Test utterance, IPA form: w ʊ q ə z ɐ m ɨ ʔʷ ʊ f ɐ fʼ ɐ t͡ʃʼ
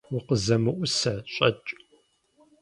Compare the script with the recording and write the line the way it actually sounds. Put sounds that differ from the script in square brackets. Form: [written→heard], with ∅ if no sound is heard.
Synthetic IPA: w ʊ q ə z ɐ m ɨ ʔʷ ʊ [f→s] ɐ [fʼ→ɕʼ] ɐ t͡ʃʼ

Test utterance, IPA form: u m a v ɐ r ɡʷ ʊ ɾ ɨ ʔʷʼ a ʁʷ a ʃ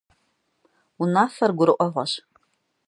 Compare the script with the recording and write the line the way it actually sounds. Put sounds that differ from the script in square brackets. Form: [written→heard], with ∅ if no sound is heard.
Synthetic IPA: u [m→n] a [v→f] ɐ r ɡʷ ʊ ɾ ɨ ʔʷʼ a ʁʷ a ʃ

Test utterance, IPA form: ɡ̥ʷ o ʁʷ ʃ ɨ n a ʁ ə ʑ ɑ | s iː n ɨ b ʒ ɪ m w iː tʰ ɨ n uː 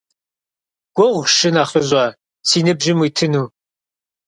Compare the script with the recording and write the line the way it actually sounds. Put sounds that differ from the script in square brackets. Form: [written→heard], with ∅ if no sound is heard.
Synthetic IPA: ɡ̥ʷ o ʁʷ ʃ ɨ n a [ʁ→χ] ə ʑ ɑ | s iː n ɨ b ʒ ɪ m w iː tʰ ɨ n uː

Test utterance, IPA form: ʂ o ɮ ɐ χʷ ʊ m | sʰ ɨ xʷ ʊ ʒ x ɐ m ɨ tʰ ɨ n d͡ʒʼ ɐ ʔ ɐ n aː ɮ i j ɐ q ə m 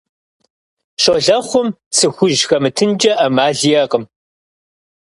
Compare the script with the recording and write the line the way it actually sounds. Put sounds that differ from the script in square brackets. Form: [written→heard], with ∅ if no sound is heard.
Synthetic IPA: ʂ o ɮ ɐ χʷ ʊ m | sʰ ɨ xʷ ʊ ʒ x ɐ m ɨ tʰ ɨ n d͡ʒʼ ɐ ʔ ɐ [n→m] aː ɮ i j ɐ q ə m

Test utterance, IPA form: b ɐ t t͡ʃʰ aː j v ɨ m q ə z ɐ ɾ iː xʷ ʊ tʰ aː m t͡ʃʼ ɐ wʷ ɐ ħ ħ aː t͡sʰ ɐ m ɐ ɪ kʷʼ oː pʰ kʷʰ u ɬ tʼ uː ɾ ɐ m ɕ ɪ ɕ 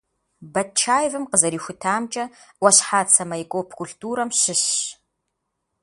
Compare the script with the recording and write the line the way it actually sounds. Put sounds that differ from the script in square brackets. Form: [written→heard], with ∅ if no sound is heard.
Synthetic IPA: b ɐ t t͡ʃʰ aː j v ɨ m q ə z ɐ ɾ iː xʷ ʊ tʰ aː m t͡ʃʼ ɐ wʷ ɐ [ħ→ɕ] ħ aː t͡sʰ ɐ m ɐ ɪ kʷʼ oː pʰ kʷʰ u ɬ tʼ uː ɾ ɐ m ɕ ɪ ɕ

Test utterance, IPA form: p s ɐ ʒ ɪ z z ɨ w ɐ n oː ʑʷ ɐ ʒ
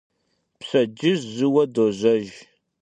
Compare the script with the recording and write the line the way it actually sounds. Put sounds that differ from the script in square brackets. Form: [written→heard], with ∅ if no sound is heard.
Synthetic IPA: p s ɐ [ʒ→d͡ʒ] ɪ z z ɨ w ɐ [n→d] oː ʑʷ ɐ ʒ

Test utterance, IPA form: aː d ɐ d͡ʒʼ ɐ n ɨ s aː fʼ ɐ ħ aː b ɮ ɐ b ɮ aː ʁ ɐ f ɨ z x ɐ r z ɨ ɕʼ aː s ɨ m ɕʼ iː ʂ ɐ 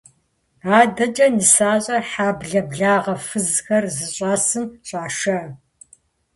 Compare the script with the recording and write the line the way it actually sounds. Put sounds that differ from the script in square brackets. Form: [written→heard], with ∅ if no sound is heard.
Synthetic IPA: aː d ɐ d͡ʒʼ ɐ n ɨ s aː [fʼ→ɕʼ] ɐ ħ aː b ɮ ɐ b ɮ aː ʁ ɐ f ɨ z x ɐ r z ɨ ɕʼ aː s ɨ m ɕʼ [iː→aː] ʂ ɐ

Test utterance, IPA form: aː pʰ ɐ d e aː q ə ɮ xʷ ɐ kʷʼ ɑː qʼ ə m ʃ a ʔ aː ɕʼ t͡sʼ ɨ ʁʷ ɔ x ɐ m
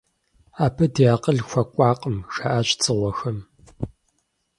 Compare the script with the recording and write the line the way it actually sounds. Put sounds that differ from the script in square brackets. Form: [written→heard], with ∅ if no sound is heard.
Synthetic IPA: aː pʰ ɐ d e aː q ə ɮ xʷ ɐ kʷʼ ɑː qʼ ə m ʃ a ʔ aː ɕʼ t͡sʼ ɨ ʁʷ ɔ x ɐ m

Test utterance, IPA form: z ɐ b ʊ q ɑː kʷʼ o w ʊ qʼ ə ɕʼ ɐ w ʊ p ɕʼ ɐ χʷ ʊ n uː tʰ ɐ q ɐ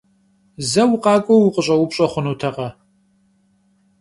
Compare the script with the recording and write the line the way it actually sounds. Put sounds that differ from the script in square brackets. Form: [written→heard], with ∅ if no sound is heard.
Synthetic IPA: z ɐ [b→w] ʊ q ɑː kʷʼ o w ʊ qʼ ə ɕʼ ɐ w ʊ p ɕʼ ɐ χʷ ʊ n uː tʰ ɐ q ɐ

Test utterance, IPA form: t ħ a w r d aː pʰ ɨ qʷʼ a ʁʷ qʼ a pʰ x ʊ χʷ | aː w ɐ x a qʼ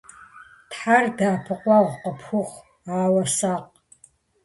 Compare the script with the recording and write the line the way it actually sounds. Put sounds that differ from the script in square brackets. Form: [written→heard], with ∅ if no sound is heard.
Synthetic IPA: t ħ a [w→∅] r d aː pʰ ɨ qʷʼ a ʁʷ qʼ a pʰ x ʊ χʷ | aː w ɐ [x→s] a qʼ

